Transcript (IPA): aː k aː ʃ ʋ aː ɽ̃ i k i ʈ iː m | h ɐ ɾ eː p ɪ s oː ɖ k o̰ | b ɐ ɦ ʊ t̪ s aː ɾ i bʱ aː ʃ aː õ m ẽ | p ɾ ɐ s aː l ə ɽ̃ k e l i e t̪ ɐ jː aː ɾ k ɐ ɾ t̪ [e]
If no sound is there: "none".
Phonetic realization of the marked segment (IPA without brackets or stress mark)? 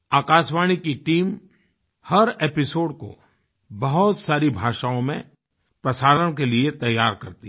i